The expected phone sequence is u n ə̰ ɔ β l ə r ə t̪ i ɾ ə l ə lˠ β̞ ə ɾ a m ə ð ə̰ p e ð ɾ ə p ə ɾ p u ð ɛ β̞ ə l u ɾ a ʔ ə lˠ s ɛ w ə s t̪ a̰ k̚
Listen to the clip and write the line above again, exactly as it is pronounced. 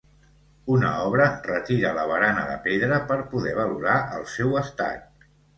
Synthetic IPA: u n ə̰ ɔ β ɾ ə r ə t̪ i ɾ ə l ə β̞ ə ɾ a n ə ð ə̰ p e ð ɾ ə p ə ɾ p u ð ɛ β̞ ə l u ɾ a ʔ ə lˠ s ɛ w ə s t̪ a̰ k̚